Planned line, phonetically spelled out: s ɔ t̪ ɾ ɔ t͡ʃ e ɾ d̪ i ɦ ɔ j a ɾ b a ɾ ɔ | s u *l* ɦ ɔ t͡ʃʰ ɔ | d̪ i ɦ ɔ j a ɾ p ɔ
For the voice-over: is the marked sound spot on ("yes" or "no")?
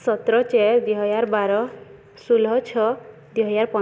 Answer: yes